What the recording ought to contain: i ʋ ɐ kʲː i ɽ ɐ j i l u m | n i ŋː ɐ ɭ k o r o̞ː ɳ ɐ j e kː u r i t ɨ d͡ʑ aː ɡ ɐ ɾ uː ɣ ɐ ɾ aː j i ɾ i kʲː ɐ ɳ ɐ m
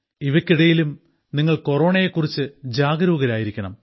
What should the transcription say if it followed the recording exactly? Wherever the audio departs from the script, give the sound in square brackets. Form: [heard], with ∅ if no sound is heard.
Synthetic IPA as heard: i ʋ ɐ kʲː i ɽ ɐ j i l u m | n i ŋː ɐ ɭ k o r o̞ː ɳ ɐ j e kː u r i [t͡ɕː] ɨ d͡ʑ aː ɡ ɐ ɾ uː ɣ ɐ ɾ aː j i ɾ i kʲː ɐ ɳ ɐ m